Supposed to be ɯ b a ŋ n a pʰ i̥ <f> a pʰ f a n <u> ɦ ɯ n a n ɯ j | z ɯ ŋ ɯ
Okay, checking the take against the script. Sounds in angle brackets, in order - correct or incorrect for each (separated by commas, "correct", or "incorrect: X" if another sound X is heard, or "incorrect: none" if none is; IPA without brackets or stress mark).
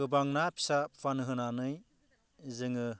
incorrect: s, incorrect: ɯ